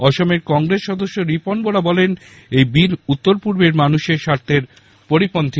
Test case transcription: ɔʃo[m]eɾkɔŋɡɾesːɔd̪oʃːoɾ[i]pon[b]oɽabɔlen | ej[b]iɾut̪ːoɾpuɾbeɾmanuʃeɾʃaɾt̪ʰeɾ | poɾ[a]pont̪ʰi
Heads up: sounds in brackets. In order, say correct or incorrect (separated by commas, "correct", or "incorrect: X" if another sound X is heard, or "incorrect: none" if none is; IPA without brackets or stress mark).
correct, correct, correct, correct, incorrect: i